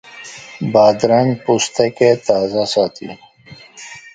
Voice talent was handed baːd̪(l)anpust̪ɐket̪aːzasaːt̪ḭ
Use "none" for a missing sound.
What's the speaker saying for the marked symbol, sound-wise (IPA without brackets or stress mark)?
ɾ